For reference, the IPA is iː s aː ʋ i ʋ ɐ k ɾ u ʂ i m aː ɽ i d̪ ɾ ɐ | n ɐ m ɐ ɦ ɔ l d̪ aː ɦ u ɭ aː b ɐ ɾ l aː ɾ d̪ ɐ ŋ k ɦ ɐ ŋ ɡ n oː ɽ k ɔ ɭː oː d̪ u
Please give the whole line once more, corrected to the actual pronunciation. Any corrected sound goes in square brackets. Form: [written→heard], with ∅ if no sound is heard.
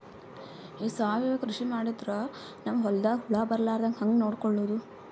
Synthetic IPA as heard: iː s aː ʋ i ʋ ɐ k ɾ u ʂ i m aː ɽ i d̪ ɾ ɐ | n ɐ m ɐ ɦ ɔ l d̪ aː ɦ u ɭ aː b ɐ ɾ l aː ɾ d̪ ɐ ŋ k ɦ ɐ ŋ ɡ n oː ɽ k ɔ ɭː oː d̪ u

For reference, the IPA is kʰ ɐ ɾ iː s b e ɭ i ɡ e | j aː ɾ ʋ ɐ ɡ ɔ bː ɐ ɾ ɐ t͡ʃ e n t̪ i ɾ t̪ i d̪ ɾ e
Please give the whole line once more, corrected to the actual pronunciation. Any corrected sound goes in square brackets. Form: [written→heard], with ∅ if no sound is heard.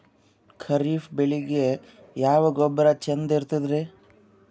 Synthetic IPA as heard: kʰ ɐ ɾ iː [s→f] b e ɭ i ɡ e | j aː [ɾ→∅] ʋ ɐ ɡ ɔ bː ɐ ɾ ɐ t͡ʃ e n [t̪→d̪] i ɾ t̪ i d̪ ɾ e

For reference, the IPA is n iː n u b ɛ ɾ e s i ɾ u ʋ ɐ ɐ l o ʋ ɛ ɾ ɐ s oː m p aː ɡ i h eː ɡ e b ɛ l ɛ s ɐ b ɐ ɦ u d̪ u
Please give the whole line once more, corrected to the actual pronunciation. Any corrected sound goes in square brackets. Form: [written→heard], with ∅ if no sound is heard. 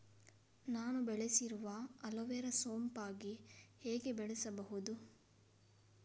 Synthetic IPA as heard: n [iː→aː] n u b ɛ [ɾ→ɭ] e s i ɾ u ʋ ɐ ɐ l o ʋ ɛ ɾ ɐ s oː m p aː ɡ i h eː ɡ e b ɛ [l→ɭ] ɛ s ɐ b ɐ ɦ u d̪ u

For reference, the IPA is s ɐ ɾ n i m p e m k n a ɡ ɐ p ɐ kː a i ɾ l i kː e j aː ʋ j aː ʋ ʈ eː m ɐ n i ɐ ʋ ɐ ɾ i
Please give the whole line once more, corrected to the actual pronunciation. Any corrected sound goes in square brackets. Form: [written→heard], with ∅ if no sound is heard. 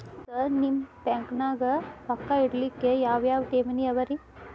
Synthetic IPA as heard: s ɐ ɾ n i m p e [m→ŋ] k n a ɡ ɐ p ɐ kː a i [ɾ→ɽ] l i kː e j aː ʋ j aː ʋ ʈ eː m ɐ n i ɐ ʋ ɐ ɾ i

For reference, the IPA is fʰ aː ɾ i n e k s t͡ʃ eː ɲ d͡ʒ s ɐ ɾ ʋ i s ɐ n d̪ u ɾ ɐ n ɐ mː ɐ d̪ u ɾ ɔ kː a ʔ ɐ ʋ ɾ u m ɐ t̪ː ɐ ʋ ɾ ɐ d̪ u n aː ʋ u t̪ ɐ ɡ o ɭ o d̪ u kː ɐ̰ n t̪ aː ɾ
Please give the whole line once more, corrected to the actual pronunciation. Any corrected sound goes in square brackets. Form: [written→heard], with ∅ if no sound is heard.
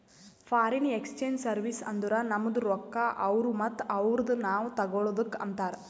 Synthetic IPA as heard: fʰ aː ɾ i n e k s t͡ʃ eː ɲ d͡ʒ s ɐ ɾ ʋ i s ɐ n d̪ u ɾ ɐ n ɐ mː ɐ d̪ u ɾ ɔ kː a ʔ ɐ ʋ ɾ u m ɐ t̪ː ɐ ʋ ɾ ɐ d̪ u n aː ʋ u t̪ ɐ ɡ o ɭ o d̪ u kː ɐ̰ n t̪ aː ɾ

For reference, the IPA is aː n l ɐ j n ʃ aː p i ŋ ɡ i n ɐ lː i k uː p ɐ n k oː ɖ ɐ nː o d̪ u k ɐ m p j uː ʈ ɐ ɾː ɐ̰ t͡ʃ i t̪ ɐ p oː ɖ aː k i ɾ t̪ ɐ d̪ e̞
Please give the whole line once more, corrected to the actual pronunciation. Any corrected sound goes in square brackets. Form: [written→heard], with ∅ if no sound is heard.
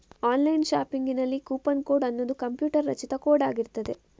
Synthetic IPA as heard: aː n l ɐ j n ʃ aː p i ŋ ɡ i n ɐ lː i k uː p ɐ n k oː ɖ ɐ nː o d̪ u k ɐ m p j uː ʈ ɐ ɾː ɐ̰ t͡ʃ i t̪ ɐ [p→k] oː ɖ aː [k→ɡ] i ɾ t̪ ɐ d̪ e̞

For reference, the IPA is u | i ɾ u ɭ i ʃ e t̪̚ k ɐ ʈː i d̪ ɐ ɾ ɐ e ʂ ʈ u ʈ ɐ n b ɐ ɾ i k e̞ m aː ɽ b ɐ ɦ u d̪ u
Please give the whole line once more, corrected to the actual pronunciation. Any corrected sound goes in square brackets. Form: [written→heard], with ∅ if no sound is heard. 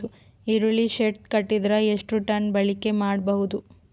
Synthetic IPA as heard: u | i ɾ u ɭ i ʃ e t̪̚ k ɐ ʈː i d̪ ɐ ɾ ɐ e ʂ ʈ u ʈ ɐ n b ɐ [ɾ→ɭ] i k e̞ m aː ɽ b ɐ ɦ u d̪ u

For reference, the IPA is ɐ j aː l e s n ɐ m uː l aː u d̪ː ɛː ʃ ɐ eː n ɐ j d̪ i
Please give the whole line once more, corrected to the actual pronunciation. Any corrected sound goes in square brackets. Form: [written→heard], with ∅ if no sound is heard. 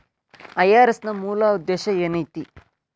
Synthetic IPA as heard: ɐ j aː [l→ɾ] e s n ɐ m uː l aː u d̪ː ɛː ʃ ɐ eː n ɐ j [d̪→t̪] i

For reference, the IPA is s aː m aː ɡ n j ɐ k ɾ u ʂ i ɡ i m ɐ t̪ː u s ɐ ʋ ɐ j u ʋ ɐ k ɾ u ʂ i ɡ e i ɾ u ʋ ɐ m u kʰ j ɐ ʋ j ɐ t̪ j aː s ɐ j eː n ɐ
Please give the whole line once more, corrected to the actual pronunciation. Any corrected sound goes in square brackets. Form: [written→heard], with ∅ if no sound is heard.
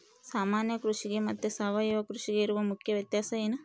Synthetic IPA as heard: s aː m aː [ɡ→∅] n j ɐ k ɾ u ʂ i ɡ [i→e] m ɐ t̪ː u s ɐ ʋ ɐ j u ʋ ɐ k ɾ u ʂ i ɡ e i ɾ u ʋ ɐ m u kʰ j ɐ ʋ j ɐ t̪ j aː s ɐ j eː n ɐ

